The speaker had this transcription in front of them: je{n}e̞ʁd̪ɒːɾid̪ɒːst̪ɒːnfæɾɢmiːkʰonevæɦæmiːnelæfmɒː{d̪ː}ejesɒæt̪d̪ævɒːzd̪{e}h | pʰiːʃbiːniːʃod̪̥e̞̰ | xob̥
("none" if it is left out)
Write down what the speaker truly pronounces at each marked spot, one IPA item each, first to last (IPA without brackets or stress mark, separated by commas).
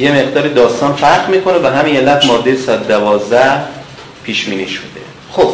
m, d̪ː, æ